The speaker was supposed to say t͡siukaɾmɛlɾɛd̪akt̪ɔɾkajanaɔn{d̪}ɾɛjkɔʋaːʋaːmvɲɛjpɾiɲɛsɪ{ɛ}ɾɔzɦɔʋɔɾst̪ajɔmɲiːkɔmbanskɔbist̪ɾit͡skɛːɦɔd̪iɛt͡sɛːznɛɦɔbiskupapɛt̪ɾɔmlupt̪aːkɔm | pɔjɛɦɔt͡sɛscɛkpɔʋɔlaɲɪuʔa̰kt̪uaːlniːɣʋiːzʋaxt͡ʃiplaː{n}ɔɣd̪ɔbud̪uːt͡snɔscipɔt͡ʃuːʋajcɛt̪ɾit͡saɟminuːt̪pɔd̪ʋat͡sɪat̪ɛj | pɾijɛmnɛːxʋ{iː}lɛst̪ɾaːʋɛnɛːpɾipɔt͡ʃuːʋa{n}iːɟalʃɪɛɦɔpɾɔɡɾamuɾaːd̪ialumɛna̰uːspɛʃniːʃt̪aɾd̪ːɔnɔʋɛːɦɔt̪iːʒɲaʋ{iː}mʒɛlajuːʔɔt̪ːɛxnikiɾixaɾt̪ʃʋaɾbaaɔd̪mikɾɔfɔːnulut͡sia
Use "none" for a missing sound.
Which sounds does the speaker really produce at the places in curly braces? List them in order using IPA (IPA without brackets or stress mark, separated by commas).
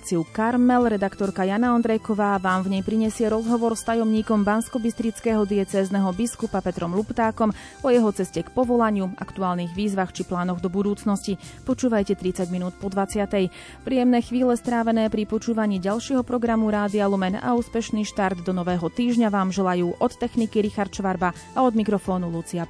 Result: d̪, ɛ, n, iː, ɲ, aː